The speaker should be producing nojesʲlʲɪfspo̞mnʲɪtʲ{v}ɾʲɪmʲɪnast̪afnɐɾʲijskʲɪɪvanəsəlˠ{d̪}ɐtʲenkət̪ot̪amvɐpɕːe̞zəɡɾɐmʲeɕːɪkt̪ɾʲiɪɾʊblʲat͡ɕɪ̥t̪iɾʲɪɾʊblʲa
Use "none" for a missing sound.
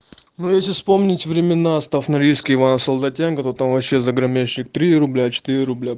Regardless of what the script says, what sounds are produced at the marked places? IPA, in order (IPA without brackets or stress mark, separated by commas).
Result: v, d̪